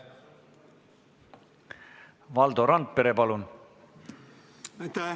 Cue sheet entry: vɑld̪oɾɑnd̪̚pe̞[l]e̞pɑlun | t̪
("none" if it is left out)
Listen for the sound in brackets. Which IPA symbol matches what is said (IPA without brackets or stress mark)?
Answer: ɾ